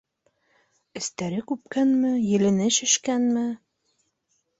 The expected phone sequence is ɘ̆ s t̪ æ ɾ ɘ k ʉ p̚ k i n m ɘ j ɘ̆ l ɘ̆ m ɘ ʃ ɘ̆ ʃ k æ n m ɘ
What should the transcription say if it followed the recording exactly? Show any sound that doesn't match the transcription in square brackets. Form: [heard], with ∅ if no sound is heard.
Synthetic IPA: ɘ̆ s t̪ æ ɾ ɘ k ʉ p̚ k [æ] n m ɘ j ɘ̆ l ɘ̆ [n] ɘ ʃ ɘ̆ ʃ k æ n m ɘ